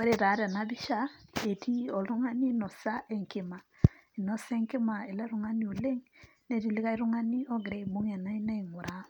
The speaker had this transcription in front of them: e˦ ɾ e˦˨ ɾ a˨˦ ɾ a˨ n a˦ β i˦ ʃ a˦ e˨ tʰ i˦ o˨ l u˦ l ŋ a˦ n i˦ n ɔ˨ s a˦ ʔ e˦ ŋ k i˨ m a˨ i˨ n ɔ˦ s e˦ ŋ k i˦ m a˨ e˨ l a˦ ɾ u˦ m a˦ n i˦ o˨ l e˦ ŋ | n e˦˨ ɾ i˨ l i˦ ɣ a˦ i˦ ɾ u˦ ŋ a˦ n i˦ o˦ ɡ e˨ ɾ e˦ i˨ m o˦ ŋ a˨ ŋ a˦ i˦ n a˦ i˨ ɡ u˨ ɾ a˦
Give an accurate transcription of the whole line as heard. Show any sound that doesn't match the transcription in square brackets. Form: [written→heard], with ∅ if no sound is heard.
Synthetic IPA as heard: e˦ ɾ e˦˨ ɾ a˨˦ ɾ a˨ n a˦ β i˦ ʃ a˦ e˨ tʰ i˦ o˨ l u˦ [l→∅] ŋ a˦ n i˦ n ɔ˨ s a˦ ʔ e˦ ŋ k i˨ m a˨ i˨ n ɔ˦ s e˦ ŋ k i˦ m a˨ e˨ l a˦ ɾ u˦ [m→ŋ] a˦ n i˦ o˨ l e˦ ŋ | n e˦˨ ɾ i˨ l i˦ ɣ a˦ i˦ ɾ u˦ ŋ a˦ n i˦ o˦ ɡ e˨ ɾ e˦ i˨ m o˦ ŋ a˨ [ŋ→n] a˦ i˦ n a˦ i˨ [ɡ→ŋ] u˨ ɾ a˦